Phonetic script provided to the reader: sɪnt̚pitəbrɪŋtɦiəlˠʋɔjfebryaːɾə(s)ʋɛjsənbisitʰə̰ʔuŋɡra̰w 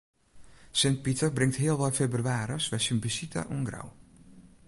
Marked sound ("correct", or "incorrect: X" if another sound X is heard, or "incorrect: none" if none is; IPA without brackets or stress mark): correct